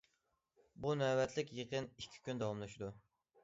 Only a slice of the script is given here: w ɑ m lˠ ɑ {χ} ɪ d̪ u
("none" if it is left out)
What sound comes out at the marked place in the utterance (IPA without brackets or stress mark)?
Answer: ʃ